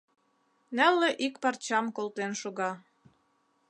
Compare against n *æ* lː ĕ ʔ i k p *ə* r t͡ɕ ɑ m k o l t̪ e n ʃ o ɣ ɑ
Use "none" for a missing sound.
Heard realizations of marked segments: æ, ɑ

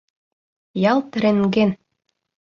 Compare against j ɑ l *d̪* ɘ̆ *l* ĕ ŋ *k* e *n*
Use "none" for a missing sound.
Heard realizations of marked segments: t̪, ɾ, ɡ, n

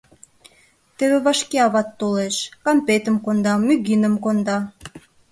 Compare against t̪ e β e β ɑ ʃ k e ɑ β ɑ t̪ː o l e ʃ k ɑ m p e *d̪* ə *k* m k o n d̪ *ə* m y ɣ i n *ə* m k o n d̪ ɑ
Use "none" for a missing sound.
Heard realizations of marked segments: t̪, none, ɑ, ə

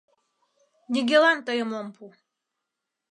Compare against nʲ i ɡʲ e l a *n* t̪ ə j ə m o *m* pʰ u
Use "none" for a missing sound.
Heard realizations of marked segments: n, m

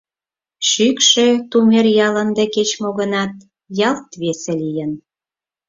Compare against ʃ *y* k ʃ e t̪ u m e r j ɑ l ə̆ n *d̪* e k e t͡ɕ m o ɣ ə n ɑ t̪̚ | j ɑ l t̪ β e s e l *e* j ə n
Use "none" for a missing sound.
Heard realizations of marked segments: y, d̪, i

